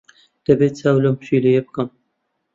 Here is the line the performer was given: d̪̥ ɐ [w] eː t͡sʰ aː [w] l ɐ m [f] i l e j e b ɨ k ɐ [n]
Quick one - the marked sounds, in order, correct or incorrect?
incorrect, correct, incorrect, incorrect

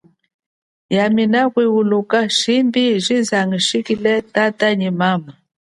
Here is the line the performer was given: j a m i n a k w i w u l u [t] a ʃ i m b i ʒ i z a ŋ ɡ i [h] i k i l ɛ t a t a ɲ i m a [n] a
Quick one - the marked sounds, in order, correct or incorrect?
incorrect, incorrect, incorrect

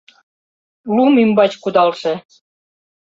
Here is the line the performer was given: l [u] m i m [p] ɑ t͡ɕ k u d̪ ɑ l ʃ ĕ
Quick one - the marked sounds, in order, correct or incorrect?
correct, incorrect

